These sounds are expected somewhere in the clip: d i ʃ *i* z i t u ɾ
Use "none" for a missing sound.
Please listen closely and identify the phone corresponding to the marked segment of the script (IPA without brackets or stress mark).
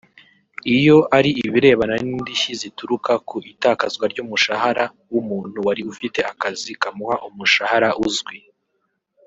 i